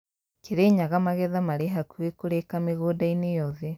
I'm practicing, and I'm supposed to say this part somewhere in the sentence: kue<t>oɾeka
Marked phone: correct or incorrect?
incorrect